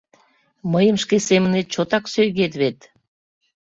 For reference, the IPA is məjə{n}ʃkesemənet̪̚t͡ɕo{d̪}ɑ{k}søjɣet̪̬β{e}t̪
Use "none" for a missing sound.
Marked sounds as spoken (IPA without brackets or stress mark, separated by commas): m, t̪, k, e